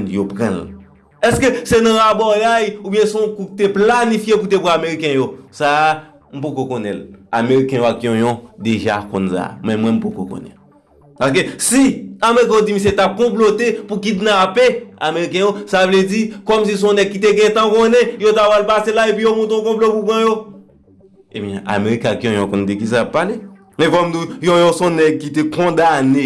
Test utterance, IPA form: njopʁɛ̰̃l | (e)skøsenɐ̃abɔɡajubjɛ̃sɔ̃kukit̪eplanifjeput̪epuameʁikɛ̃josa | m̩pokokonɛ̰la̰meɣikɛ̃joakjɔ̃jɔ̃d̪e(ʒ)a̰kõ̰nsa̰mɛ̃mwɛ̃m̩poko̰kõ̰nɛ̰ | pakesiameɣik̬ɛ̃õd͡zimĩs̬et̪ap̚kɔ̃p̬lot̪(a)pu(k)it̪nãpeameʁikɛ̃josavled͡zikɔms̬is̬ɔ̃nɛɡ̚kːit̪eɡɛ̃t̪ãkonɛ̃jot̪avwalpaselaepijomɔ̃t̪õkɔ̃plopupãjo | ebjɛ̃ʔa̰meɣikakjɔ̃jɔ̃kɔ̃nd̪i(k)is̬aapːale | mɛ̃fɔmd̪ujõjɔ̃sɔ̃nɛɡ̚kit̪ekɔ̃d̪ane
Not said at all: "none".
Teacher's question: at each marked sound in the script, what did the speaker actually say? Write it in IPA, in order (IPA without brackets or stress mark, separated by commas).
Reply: ɛ, ʒ, e, k, k